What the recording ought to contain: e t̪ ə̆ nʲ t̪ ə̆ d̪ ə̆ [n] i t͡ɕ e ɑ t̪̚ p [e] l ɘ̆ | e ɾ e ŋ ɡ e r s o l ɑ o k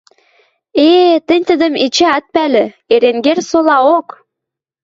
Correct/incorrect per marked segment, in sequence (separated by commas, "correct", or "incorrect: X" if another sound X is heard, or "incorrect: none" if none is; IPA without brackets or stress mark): incorrect: m, incorrect: æ